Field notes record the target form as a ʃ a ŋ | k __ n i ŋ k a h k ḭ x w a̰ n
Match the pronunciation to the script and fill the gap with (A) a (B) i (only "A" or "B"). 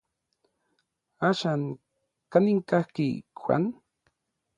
A